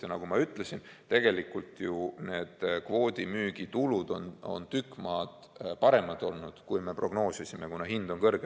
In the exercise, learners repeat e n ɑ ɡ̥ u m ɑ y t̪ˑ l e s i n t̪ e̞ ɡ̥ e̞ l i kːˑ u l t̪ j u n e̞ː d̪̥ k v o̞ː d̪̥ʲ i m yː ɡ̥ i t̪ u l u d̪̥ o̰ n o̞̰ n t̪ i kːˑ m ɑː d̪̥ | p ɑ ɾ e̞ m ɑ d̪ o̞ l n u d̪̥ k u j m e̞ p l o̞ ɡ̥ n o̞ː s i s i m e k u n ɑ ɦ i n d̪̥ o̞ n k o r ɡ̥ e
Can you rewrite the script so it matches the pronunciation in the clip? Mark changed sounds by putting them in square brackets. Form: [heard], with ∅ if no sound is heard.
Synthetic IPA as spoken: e n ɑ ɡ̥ u m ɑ y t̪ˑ l e s i n t̪ e̞ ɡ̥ e̞ l i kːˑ u l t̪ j u n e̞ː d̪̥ k v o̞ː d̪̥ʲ i m yː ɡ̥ i t̪ u l u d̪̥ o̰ n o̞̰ n t̪ [y] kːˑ m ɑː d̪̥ | p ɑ ɾ e̞ m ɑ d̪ o̞ l n u d̪̥ k u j m e̞ p [r] o̞ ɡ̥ n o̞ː s i s i m e k u n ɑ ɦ i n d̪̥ o̞ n k [ɤ] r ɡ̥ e